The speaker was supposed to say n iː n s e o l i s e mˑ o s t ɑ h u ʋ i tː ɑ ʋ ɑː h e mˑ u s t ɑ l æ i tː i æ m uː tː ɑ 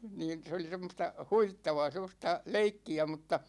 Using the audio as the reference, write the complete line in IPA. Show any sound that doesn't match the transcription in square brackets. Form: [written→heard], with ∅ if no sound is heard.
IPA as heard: n iː n s e o l i s e mˑ o s t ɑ h u ʋ i tː ɑ ʋ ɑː [h→s] e mˑ [u→o] s t ɑ l [æ→e] i [tː→kː] i æ m [uː→u] tː ɑ